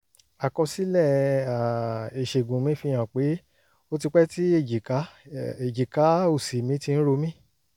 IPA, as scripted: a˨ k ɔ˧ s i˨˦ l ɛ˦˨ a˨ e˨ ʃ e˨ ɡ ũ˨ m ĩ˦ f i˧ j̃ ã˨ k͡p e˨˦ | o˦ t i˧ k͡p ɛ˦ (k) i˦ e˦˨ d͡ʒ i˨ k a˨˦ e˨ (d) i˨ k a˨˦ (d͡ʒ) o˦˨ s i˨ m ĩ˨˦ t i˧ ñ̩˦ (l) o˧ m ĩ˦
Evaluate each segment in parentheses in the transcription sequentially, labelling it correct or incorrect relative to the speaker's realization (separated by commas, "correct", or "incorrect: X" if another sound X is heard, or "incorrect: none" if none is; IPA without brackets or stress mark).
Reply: incorrect: t, incorrect: d͡ʒ, incorrect: none, incorrect: ɾ